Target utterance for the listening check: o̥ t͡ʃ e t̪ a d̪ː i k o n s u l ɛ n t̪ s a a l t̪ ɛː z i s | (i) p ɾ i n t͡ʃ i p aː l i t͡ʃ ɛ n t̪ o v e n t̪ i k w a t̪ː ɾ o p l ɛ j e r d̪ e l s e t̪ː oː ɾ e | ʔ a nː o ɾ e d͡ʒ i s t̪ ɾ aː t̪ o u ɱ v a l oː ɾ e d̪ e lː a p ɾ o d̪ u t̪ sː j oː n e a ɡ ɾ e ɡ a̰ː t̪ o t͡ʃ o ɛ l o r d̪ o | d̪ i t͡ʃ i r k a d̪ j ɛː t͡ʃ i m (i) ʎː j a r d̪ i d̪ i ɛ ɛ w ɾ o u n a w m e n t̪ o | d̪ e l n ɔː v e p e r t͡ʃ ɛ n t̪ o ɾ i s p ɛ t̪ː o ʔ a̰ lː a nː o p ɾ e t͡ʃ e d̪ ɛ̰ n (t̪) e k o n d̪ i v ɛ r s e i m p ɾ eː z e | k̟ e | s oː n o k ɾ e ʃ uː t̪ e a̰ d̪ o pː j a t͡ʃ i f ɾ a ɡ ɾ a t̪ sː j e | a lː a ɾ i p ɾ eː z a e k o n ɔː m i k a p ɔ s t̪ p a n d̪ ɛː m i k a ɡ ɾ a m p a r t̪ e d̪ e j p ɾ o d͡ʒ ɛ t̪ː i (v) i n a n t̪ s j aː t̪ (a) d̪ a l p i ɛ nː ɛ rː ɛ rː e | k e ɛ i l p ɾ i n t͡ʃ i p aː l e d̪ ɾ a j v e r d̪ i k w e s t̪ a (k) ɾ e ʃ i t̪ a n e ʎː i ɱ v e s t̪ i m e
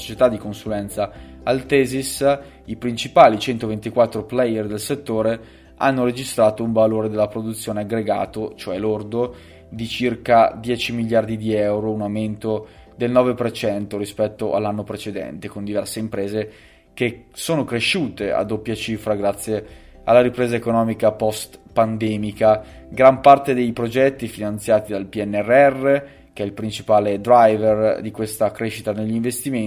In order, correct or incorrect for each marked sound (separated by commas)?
correct, correct, correct, incorrect, incorrect, correct